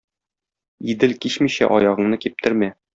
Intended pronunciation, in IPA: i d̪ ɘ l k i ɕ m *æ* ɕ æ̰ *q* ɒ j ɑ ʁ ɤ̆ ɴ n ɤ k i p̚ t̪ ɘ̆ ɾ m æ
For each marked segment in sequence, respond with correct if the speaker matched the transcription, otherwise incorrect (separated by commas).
incorrect, incorrect